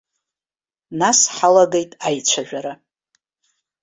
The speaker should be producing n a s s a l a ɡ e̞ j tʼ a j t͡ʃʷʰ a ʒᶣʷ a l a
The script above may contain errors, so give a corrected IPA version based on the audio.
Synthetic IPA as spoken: n a s ħ a l a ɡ e̞ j tʼ a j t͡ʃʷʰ a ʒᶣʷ a ɾ a